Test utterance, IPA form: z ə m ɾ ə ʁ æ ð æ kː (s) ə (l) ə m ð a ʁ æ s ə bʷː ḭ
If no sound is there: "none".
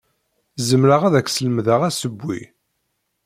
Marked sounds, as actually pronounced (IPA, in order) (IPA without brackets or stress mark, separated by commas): s, l